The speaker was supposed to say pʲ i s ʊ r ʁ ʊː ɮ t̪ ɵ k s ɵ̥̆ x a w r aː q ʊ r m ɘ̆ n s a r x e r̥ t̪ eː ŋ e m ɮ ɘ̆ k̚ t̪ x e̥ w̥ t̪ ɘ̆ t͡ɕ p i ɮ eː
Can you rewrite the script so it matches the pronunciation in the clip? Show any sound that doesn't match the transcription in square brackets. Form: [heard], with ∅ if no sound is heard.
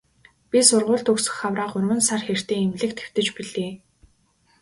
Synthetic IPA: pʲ i s ʊ r ʁ ʊː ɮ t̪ ɵ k s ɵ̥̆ x a w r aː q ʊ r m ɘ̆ n s a r x e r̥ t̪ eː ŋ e m ɮ ɘ̆ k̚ t̪ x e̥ w̥ t̪ ɘ̆ t͡ɕ p i ɮ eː